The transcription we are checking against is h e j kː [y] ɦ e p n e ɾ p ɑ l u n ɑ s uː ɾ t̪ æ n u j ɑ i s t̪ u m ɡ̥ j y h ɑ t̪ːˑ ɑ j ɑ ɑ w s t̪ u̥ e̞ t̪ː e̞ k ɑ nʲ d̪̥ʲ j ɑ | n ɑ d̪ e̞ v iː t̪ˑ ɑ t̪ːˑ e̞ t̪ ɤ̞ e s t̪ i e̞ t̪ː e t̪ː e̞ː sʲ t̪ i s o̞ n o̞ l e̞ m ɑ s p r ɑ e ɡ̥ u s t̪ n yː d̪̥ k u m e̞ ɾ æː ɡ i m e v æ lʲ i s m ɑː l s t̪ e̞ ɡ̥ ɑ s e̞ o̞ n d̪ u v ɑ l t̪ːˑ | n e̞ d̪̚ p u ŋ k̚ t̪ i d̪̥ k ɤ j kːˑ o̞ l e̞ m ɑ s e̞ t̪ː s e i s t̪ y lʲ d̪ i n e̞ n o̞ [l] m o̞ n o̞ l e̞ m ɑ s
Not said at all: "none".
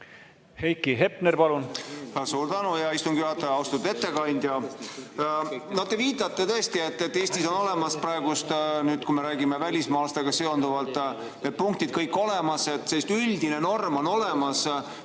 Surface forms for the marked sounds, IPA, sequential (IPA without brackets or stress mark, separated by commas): i, r